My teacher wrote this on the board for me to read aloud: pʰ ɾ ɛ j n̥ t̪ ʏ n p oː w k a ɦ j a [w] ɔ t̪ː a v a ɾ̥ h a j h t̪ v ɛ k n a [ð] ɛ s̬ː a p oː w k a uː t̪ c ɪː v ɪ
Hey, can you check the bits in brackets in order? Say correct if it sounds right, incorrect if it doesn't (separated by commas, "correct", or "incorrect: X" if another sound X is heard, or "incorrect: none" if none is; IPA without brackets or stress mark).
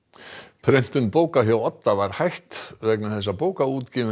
correct, incorrect: θ